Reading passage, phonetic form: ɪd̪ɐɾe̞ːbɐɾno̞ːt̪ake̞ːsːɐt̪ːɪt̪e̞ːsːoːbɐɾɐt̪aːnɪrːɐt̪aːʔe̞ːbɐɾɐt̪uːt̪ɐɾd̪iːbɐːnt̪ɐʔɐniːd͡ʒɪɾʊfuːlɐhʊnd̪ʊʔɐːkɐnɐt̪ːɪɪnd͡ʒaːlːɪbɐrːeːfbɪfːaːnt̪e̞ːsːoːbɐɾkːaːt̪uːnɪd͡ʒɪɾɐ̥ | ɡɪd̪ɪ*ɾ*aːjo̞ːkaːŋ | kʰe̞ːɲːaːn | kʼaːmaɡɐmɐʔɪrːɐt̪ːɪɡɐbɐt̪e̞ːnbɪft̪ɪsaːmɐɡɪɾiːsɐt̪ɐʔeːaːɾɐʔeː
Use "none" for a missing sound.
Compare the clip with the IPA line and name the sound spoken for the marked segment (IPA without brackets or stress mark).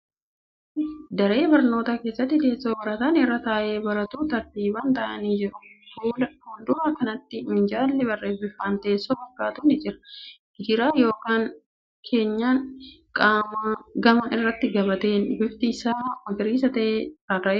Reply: ɾ